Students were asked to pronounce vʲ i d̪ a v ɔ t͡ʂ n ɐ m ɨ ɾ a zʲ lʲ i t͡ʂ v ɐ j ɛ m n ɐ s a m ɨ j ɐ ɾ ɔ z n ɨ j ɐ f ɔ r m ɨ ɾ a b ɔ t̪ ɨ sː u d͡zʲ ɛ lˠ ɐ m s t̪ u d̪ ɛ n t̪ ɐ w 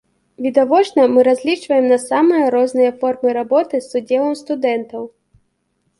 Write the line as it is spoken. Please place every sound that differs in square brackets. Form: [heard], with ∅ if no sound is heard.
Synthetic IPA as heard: vʲ i d̪ a v ɔ t͡ʂ n ɐ m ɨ ɾ a zʲ lʲ i t͡ʂ v ɐ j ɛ m n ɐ s a m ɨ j ɐ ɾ ɔ z n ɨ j ɐ f ɔ r m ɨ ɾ a b ɔ t̪ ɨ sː u d͡zʲ ɛ lˠ ɐ m s t̪ u d̪ ɛ n t̪ ɐ w